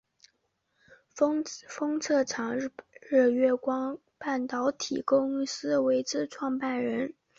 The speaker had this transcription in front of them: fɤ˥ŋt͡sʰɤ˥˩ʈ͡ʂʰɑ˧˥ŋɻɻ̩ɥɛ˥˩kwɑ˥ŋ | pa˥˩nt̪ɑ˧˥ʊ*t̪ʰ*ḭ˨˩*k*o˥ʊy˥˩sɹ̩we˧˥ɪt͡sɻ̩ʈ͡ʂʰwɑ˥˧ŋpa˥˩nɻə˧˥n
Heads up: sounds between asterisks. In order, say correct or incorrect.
correct, correct

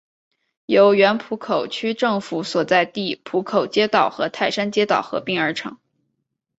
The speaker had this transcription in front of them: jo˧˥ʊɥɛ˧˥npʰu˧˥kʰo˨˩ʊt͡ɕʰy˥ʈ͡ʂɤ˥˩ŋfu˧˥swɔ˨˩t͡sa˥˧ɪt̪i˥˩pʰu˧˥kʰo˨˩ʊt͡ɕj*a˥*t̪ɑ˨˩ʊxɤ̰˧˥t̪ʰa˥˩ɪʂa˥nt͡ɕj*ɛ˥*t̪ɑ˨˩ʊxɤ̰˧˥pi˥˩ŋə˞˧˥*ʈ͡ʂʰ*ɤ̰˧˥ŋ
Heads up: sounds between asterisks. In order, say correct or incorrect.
incorrect: ɛ˥, correct, correct

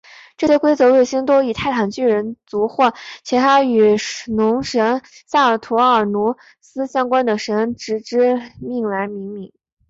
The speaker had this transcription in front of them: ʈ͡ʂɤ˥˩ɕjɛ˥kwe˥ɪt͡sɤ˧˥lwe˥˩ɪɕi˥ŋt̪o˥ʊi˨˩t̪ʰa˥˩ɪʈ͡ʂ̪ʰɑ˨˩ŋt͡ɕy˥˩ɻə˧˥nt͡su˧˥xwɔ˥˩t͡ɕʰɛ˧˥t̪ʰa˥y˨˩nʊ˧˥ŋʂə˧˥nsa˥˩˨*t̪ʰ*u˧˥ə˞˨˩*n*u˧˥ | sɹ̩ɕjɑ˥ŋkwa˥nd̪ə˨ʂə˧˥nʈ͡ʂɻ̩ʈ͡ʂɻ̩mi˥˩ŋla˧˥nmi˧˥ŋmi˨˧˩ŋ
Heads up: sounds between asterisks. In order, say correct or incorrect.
correct, correct

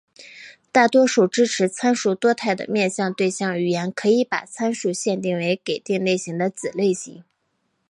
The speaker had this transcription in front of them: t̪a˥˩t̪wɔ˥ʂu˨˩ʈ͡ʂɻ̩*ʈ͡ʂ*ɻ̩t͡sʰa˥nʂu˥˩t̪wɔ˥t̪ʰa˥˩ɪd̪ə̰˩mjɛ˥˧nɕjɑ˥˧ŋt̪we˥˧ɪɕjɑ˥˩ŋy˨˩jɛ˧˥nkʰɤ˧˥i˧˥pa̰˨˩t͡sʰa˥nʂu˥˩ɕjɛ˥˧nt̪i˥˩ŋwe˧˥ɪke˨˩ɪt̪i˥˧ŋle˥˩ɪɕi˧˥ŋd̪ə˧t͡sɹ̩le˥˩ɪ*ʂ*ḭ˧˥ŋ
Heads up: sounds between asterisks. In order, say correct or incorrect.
incorrect: ʈ͡ʂʰ, incorrect: ɕ

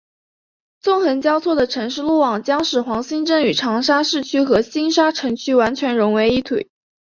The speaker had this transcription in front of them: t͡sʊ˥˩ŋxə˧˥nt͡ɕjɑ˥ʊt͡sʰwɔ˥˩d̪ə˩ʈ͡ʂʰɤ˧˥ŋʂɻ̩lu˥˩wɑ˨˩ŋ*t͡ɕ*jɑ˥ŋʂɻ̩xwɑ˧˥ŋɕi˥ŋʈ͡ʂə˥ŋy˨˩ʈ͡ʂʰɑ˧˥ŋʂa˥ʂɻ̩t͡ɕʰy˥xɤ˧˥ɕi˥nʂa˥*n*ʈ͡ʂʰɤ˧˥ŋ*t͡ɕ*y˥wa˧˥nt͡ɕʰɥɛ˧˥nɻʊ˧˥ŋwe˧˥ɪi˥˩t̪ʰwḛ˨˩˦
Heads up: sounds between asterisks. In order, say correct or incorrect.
correct, incorrect: none, incorrect: t͡ɕʰ

